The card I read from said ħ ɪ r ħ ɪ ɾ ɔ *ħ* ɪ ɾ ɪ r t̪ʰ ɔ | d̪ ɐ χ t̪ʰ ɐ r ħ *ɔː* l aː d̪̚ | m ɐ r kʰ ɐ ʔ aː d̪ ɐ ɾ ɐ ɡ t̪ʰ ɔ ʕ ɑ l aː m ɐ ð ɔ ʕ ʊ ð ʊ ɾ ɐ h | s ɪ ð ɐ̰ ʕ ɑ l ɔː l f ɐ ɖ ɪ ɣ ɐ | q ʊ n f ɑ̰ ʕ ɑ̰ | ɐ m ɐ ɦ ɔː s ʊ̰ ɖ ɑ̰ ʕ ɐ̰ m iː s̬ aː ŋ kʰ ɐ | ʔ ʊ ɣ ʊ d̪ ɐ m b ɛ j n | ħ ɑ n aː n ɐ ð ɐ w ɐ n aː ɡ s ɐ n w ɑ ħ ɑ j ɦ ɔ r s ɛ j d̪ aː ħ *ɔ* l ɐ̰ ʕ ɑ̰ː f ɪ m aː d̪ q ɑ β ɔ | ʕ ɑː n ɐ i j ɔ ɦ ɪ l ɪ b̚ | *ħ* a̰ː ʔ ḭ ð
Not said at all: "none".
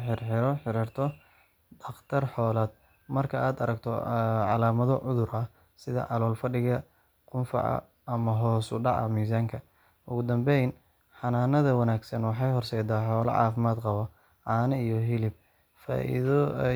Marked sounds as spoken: ħ, ɔː, ɔː, f

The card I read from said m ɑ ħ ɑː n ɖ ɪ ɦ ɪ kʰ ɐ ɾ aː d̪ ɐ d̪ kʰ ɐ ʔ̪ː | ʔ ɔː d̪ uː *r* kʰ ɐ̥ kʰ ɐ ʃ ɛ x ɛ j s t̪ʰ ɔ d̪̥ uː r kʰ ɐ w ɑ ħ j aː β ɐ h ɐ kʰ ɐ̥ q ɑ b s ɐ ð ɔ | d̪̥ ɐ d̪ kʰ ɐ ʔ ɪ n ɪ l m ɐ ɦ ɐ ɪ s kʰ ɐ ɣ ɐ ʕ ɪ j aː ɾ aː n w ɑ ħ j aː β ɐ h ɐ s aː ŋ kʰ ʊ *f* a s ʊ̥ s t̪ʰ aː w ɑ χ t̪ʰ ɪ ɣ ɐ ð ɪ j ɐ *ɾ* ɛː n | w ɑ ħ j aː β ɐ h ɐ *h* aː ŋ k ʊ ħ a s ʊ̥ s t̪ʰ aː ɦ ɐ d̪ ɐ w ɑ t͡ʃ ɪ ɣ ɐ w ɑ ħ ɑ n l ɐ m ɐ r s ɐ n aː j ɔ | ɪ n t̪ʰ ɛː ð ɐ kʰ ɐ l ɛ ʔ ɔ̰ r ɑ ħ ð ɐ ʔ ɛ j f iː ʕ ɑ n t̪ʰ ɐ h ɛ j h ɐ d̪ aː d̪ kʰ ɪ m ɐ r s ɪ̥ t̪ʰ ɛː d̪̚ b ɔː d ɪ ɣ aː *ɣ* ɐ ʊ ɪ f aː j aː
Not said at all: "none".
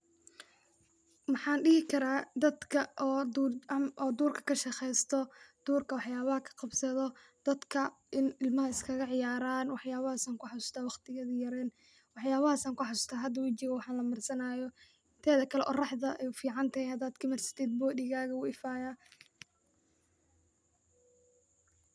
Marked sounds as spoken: r, ħ, ɾ, s, ɣ

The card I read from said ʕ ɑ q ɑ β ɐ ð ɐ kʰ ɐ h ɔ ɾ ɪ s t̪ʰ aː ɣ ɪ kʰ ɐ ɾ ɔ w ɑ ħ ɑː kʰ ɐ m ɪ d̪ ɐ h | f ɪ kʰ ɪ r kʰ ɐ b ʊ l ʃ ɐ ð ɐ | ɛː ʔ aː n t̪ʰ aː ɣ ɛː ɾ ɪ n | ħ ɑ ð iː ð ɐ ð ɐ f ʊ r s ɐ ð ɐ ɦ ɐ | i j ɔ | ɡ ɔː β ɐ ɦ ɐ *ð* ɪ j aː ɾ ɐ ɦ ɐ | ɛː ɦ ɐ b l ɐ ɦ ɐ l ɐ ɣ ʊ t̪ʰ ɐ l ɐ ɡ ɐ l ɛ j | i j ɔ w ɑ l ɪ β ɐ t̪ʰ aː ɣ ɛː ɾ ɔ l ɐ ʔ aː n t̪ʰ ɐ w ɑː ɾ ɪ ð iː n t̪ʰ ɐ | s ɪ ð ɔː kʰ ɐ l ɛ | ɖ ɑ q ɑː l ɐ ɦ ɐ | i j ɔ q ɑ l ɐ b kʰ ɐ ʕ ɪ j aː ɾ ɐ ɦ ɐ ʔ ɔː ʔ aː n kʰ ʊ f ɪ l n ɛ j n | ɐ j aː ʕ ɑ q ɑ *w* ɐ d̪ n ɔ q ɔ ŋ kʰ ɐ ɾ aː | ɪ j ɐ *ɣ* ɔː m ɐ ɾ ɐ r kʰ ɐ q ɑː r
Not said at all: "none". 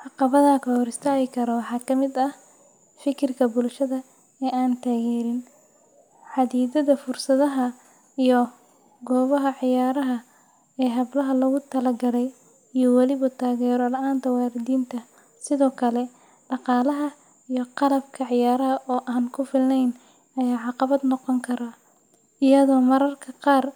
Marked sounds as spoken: ʕ, β, ð

